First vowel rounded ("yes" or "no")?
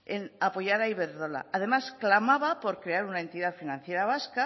no